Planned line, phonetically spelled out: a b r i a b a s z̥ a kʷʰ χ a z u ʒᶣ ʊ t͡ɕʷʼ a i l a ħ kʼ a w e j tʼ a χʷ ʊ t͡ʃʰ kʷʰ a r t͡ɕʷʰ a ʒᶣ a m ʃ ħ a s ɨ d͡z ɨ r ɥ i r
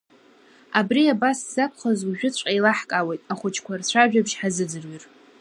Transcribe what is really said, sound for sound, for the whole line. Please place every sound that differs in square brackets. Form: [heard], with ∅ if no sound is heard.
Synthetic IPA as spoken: a b r i a b a s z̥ a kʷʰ χ a z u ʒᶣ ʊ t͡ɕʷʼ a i l a ħ kʼ a w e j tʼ a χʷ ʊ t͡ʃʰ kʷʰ a r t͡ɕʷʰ a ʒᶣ a [b] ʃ ħ a [z] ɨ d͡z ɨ r ɥ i r